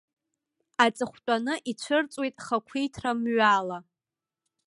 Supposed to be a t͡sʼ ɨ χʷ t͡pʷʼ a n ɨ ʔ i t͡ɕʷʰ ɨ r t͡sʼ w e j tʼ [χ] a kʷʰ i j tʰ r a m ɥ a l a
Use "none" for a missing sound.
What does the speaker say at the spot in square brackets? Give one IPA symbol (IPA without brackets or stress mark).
χ